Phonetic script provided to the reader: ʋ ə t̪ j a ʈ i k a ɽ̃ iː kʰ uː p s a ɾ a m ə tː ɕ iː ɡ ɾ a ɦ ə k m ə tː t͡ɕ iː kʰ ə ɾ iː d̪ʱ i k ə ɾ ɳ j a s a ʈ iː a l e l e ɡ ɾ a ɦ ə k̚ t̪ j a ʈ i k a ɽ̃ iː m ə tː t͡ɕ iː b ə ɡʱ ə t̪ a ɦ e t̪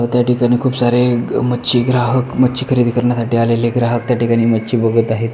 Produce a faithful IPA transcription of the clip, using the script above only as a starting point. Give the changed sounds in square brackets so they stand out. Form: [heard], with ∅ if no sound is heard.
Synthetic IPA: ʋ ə t̪ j a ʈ i k a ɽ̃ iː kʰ uː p s a ɾ [e] m ə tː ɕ iː ɡ ɾ a ɦ ə k m ə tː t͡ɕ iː kʰ ə ɾ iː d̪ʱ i k ə ɾ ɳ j a s a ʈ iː a l e l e ɡ ɾ a ɦ ə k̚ t̪ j a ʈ i k a ɽ̃ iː m ə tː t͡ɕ iː b ə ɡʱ ə t̪ a ɦ e t̪